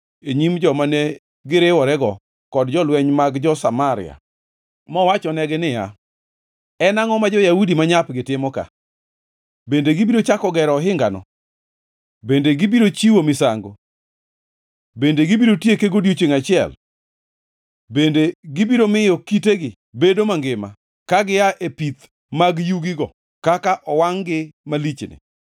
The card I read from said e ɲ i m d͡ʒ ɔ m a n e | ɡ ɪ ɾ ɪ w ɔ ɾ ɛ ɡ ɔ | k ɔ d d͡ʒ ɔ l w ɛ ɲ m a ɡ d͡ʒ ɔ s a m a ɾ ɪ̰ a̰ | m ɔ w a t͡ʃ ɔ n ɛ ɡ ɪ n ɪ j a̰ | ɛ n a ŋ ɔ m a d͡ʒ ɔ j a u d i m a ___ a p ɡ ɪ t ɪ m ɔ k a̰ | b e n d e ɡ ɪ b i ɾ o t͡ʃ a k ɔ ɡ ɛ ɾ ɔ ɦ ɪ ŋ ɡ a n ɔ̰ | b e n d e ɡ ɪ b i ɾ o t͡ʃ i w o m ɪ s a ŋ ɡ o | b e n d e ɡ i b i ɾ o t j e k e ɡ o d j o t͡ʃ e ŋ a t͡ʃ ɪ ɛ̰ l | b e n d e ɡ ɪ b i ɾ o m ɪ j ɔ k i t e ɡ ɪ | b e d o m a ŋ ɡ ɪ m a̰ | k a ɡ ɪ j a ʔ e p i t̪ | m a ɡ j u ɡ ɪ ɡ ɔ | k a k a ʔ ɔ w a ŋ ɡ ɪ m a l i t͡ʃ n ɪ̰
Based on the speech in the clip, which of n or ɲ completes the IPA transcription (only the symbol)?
ɲ